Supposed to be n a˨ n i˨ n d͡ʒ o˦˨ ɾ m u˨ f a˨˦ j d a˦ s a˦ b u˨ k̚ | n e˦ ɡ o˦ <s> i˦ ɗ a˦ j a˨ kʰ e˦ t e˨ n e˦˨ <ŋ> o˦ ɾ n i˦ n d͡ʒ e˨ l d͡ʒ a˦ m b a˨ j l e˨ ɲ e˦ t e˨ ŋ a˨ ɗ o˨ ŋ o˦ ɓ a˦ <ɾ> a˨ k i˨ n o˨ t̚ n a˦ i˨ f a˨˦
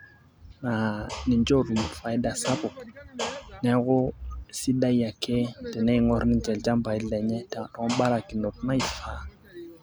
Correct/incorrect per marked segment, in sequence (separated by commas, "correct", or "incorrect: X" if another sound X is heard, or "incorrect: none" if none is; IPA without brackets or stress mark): correct, correct, correct